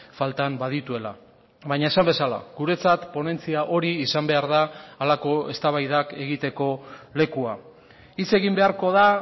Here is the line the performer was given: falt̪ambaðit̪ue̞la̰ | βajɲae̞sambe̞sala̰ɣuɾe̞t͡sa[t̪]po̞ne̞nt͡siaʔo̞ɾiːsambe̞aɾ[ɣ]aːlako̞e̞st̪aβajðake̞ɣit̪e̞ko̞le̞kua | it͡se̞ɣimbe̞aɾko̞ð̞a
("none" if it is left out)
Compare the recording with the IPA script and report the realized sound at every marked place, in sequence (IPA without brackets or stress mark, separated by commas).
t̪, ð